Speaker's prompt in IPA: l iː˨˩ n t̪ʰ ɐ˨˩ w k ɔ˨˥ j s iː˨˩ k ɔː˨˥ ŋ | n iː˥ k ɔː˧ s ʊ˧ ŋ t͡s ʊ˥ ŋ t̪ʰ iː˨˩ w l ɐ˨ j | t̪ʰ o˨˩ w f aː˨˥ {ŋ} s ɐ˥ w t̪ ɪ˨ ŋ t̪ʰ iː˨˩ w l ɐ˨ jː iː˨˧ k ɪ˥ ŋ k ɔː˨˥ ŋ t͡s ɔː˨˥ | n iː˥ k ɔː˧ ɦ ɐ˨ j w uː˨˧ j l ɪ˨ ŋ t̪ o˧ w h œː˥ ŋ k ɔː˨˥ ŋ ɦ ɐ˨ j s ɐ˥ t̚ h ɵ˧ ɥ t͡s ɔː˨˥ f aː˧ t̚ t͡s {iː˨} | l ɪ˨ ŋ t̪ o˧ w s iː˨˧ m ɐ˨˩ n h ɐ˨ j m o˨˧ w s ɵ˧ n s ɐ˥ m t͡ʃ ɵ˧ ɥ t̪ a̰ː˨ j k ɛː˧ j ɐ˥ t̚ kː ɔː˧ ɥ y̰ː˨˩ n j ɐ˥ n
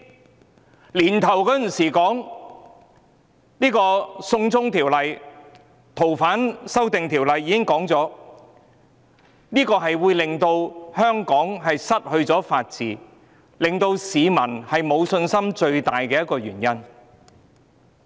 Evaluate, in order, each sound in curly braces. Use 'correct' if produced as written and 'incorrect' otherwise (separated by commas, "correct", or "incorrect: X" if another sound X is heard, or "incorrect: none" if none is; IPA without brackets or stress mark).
incorrect: n, correct